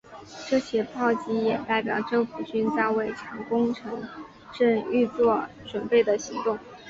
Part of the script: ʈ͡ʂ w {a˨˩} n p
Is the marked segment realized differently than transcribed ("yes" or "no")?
yes